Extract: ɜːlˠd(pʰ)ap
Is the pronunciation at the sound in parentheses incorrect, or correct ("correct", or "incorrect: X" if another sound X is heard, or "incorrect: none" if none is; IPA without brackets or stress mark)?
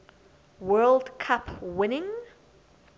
incorrect: kʰ